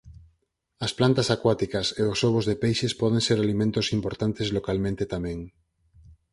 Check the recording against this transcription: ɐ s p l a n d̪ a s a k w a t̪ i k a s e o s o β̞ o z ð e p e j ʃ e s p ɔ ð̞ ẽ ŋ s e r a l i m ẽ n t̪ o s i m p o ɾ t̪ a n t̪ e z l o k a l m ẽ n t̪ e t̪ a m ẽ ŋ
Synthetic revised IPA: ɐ s p l a n t̪ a s a k w a t̪ i k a s e o s o β̞ o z ð e p e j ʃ e s p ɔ ð̞ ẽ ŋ s e ɾ a l i m ẽ n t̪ o s i m p o ɾ t̪ a n t̪ e z l o k a l m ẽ n t̪ e t̪ a m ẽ ŋ